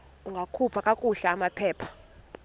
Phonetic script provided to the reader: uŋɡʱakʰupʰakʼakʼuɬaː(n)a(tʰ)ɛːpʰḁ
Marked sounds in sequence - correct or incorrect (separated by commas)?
incorrect, incorrect